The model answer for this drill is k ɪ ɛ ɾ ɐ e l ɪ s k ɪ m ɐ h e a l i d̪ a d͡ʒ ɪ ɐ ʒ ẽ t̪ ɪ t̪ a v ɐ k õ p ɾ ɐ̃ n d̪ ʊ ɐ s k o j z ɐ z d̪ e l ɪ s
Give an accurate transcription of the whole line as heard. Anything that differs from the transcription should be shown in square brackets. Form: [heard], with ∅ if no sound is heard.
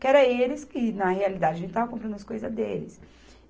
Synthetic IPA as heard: k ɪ ɛ ɾ ɐ e l ɪ s k ɪ [n] ɐ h e a l i d̪ a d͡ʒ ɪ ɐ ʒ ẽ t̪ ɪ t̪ a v ɐ k õ p ɾ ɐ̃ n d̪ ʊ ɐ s k o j z ɐ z d̪ e l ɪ s

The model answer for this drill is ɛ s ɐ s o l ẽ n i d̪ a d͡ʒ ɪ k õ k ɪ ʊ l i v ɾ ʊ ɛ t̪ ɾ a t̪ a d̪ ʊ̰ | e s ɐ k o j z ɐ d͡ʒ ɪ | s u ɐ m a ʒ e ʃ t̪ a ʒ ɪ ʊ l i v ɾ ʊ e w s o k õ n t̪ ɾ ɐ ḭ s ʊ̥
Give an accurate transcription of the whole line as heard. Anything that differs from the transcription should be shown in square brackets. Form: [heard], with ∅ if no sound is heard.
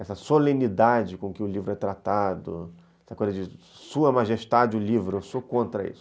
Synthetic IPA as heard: ɛ s ɐ s o l ẽ n i d̪ a d͡ʒ ɪ k õ k ɪ ʊ l i v ɾ ʊ ɛ t̪ ɾ a t̪ a d̪ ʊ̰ | [ɛ] s ɐ k o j z ɐ d͡ʒ ɪ | s u ɐ m a ʒ e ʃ t̪ a [d͡ʒ] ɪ ʊ l i v ɾ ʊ e w s o k õ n t̪ ɾ ɐ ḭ s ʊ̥

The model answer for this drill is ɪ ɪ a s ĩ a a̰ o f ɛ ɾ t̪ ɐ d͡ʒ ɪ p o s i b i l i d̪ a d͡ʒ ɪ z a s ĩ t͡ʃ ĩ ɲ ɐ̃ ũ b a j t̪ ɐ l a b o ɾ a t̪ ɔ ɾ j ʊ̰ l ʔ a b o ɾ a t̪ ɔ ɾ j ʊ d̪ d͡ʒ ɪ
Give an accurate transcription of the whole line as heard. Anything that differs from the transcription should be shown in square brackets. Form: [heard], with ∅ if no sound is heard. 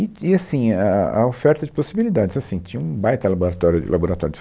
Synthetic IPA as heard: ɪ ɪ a s ĩ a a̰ o f ɛ ɾ t̪ ɐ d͡ʒ ɪ p o s i b i l i d̪ a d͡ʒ ɪ z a s ĩ t͡ʃ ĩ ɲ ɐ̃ ũ b a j t̪ ɐ l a b o ɾ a t̪ ɔ ɾ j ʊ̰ l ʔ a b o ɾ a t̪ ɔ ɾ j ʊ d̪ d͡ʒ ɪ

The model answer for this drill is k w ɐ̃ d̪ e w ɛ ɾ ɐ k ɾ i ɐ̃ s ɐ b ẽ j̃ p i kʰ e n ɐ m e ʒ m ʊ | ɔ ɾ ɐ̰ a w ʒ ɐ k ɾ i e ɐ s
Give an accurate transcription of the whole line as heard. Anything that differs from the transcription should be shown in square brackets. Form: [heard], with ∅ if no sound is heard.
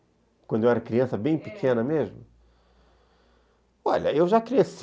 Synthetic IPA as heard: k w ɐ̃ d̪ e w ɛ ɾ ɐ k ɾ i ɐ̃ s ɐ b ẽ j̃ p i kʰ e n ɐ m e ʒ m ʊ | ɔ [ʎ] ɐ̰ [e] w ʒ [a] k ɾ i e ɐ s

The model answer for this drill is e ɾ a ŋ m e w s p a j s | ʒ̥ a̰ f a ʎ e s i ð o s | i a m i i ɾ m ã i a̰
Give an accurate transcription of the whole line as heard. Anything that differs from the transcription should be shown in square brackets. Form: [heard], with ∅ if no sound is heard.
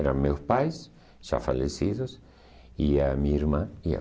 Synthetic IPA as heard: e ɾ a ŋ m e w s p a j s | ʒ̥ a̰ f a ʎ e s i ð o s | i a m i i ɾ m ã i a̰

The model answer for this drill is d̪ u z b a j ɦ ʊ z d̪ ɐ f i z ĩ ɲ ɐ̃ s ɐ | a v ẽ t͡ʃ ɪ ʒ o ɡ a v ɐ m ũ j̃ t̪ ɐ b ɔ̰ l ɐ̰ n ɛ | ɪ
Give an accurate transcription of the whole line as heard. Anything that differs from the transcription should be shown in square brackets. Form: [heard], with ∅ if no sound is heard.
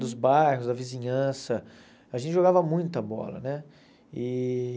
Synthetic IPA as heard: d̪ [ʊ] z b a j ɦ ʊ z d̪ ɐ [v] i z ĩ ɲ ɐ̃ s ɐ | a [ʒ] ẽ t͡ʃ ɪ ʒ o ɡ a v ɐ m ũ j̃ t̪ ɐ b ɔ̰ l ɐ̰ n ɛ | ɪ

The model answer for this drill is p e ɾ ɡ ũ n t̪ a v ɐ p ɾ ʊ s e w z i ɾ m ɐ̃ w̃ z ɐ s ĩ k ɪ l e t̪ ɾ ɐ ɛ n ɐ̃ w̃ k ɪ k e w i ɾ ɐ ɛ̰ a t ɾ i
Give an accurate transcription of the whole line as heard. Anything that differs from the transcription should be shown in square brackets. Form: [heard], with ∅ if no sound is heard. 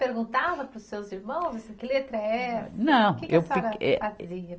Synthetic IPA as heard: p e ɾ ɡ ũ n t̪ a v ɐ p ɾ ʊ s e w z i ɾ m ɐ̃ w̃ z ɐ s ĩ k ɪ l e t̪ ɾ ɐ ɛ n ɐ̃ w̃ k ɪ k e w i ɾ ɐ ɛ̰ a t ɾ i

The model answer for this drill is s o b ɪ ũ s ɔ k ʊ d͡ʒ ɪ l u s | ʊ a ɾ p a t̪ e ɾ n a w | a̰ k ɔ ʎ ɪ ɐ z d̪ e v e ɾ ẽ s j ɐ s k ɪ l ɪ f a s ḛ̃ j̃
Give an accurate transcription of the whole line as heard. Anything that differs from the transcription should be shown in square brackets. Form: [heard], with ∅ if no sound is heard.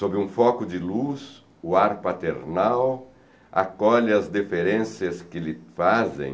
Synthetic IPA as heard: s o b ɪ ũ [f] ɔ k ʊ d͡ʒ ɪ l u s | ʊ a ɾ p a t̪ e ɾ n a w | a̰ k ɔ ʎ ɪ ɐ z d̪ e [f] e ɾ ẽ s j ɐ s k ɪ l ɪ f a [z] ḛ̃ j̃

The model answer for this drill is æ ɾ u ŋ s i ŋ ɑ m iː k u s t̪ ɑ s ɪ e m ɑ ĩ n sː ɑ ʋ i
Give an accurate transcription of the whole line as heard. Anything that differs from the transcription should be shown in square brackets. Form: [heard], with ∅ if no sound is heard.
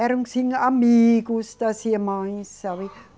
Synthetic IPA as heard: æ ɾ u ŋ s i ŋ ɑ m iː k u s t̪ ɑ s [i] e m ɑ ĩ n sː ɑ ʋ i

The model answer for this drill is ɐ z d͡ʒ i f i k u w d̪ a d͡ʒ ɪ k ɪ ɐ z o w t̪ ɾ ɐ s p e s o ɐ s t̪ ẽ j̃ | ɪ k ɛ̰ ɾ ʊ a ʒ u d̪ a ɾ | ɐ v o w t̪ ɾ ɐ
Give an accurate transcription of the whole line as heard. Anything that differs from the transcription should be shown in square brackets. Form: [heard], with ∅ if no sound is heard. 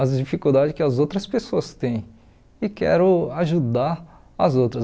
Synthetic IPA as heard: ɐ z d͡ʒ i f i k u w d̪ a d͡ʒ ɪ k ɪ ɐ z o w t̪ ɾ ɐ s p e s o ɐ s t̪ ẽ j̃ | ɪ k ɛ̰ ɾ ʊ a ʒ u d̪ a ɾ | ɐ [z] o w t̪ ɾ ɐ

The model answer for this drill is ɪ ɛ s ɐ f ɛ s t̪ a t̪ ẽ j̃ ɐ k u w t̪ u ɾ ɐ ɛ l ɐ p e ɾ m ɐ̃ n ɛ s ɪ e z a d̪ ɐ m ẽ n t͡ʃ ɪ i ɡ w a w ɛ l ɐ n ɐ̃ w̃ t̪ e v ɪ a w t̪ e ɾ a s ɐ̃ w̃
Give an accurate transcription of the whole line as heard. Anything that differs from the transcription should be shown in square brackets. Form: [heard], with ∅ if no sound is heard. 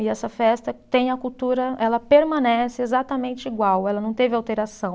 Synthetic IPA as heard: ɪ ɛ s ɐ f ɛ s t̪ [ɐ] t̪ ẽ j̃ ɐ k u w t̪ u ɾ ɐ ɛ l ɐ p e ɾ m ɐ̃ n ɛ s ɪ e z a [t̪] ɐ m ẽ n t͡ʃ ɪ i ɡ w a w ɛ l ɐ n ɐ̃ w̃ t̪ e v ɪ a w t̪ e ɾ a s ɐ̃ w̃

